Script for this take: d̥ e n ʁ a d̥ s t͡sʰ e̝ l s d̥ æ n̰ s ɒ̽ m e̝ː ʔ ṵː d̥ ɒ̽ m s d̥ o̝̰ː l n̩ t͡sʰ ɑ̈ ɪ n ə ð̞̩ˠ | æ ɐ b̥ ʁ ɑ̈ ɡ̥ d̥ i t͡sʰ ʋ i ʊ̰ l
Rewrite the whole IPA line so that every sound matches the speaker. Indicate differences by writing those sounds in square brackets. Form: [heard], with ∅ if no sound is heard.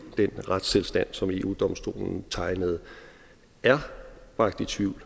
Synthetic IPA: d̥ e n ʁ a d̥ s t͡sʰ e̝ l s d̥ æ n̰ s ɒ̽ m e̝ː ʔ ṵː d̥ ɒ̽ m s d̥ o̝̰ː l n̩ t͡sʰ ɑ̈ ɪ n ə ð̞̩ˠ | æ ɐ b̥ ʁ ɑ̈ ɡ̥ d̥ i t͡sʰ ʋ i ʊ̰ l